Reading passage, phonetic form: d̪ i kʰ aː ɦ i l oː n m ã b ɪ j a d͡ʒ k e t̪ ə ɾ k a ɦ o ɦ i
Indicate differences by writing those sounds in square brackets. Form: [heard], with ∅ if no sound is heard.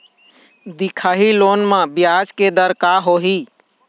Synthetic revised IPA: d̪ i kʰ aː ɦ i l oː n m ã b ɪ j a d͡ʒ k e [d̪] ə ɾ k a ɦ o ɦ i